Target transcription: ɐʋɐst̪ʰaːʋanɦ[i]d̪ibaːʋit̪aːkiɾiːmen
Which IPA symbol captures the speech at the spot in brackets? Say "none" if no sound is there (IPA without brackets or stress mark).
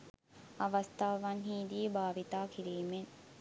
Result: iː